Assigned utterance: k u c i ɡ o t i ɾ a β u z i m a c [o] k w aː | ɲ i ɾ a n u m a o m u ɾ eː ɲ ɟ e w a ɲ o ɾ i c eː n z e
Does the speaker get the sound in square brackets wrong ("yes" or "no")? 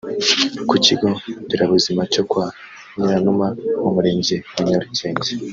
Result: no